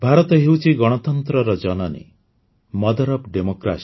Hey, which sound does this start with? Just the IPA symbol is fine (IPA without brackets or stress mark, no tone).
bʱ